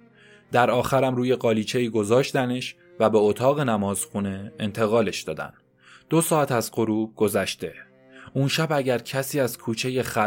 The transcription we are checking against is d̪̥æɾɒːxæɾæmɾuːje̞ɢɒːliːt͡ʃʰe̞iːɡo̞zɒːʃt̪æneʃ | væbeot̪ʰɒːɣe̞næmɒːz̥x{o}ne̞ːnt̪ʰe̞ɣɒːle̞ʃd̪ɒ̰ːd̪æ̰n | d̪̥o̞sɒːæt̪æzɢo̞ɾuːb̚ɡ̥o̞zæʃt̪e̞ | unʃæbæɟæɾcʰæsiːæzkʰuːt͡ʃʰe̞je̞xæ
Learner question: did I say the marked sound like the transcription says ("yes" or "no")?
no